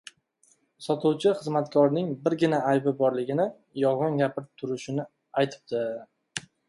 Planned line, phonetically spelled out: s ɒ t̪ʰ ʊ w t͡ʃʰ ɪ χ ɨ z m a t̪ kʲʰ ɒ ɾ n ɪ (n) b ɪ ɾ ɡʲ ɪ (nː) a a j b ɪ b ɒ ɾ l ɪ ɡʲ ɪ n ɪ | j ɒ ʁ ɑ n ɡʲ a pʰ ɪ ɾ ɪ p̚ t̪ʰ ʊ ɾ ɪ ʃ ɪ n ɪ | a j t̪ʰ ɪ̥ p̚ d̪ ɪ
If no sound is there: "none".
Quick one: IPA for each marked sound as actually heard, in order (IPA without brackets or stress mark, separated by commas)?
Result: ŋ, n